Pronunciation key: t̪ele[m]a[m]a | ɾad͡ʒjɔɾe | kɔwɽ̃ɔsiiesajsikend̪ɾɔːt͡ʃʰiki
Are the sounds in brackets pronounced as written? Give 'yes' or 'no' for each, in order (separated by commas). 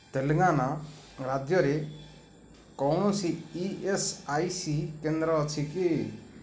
no, no